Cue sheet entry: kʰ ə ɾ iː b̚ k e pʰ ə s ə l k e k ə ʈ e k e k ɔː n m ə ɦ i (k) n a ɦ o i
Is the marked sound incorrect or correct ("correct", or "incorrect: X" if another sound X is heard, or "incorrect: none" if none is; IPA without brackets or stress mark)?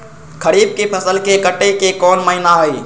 incorrect: none